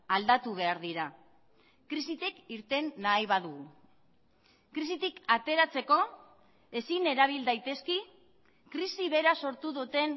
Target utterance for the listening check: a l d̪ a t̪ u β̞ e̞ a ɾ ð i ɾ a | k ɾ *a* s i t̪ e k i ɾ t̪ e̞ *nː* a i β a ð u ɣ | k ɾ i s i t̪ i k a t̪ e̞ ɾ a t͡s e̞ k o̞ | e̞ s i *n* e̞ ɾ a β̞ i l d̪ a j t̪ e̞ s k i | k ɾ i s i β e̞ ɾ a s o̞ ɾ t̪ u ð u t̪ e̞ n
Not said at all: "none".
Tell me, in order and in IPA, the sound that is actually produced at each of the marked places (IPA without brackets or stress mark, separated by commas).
i, nː, n